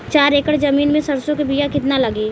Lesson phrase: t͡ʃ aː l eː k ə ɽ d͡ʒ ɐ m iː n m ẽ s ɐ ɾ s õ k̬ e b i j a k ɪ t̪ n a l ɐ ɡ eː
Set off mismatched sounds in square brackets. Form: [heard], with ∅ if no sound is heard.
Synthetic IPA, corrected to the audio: t͡ʃ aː [ɾ] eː k ə ɽ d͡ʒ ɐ m iː n m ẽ s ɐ ɾ s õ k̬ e b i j a k ɪ t̪ n a l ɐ ɡ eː